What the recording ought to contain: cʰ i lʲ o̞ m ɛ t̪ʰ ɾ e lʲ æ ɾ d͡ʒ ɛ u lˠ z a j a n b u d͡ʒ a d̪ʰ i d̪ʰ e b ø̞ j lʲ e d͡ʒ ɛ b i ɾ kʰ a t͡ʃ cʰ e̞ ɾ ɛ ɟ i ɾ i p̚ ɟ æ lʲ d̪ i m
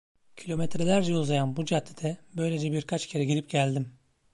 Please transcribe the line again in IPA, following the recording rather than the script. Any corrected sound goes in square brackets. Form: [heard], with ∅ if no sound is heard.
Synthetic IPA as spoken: cʰ i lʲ o̞ m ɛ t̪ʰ ɾ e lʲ æ ɾ d͡ʒ ɛ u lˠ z a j a n b u d͡ʒ a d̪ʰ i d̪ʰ [ɛ] b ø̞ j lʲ e d͡ʒ ɛ b i ɾ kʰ a t͡ʃ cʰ e̞ ɾ ɛ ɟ i ɾ i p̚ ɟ æ lʲ d̪ i m